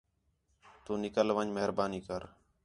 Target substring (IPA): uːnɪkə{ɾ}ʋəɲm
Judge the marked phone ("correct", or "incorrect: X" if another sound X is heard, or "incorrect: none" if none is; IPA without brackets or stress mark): incorrect: l